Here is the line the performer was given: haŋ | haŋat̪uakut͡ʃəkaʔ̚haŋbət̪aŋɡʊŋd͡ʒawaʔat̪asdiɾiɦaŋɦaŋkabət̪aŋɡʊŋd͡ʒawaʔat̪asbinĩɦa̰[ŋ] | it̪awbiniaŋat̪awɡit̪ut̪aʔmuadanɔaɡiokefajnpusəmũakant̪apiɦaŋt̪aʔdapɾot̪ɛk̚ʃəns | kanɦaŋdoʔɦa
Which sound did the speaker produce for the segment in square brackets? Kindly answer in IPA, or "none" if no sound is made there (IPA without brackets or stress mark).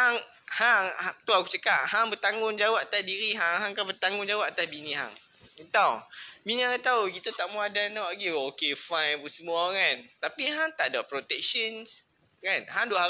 ŋ